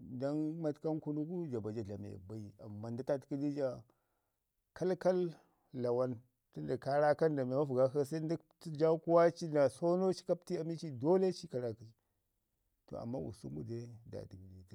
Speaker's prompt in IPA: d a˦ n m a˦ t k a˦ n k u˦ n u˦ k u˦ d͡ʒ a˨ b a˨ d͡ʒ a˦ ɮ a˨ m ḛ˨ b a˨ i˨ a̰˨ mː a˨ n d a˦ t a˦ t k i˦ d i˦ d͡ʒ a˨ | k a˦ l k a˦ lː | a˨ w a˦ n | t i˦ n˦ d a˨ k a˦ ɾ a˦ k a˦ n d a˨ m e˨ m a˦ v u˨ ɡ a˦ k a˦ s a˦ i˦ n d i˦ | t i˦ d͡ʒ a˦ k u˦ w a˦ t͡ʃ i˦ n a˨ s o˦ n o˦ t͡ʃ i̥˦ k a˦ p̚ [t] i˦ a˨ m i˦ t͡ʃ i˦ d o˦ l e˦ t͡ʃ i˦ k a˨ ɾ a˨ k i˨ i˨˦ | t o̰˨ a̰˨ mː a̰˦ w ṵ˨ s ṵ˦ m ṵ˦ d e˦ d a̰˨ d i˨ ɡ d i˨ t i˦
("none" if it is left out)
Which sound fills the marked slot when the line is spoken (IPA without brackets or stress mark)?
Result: t